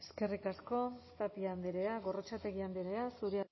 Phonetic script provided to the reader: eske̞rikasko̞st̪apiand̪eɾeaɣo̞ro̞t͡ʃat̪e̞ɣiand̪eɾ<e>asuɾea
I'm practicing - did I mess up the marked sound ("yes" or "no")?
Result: no